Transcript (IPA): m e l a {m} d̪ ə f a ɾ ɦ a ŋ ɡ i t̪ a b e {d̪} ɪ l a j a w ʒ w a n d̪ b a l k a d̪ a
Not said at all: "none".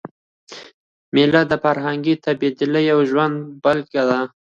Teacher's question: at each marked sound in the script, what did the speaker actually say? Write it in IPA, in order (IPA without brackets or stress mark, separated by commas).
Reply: none, d̪